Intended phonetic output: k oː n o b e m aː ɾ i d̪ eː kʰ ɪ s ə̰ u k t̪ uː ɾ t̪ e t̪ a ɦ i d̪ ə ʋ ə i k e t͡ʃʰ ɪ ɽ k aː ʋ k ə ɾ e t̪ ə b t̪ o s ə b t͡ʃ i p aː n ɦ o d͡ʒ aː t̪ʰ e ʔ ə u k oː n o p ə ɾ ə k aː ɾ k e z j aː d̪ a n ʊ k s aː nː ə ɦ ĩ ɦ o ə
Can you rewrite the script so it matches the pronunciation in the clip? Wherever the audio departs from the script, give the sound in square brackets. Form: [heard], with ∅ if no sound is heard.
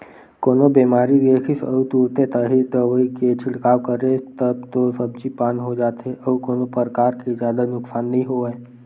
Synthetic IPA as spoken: k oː n o b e m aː ɾ i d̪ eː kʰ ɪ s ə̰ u [∅] t̪ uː ɾ t̪ e t̪ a ɦ i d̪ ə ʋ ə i k e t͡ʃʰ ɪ ɽ k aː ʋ k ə ɾ e t̪ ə b t̪ o s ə b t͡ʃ i p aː n ɦ o d͡ʒ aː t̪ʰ e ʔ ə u k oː n o p ə ɾ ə k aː ɾ k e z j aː d̪ a n ʊ k s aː nː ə ɦ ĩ ɦ o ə